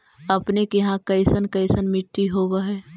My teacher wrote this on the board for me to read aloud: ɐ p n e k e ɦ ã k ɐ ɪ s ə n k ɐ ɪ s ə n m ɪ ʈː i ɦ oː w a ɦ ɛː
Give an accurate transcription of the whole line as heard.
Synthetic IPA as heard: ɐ p n e k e ɦ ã k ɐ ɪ s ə n k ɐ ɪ s ə n m ɪ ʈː i ɦ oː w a ɦ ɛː